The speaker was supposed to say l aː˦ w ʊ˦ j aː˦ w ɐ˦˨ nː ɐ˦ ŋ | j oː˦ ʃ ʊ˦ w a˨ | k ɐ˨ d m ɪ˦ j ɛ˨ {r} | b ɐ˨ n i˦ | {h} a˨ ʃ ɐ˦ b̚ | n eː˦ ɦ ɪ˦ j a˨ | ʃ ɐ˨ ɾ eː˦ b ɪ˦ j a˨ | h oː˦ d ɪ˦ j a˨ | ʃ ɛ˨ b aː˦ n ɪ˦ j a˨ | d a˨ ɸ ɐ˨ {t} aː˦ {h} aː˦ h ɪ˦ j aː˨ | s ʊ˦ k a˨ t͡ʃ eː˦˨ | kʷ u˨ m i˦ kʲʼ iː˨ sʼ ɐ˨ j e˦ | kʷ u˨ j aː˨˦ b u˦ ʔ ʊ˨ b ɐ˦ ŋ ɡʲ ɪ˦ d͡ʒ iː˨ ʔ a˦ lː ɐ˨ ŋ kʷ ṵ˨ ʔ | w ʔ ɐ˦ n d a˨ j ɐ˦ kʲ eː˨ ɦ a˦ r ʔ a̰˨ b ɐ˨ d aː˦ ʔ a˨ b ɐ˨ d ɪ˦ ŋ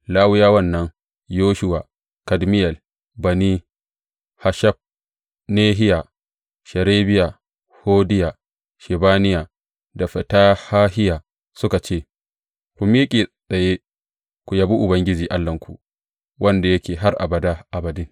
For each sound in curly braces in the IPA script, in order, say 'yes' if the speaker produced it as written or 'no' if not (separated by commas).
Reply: no, yes, yes, yes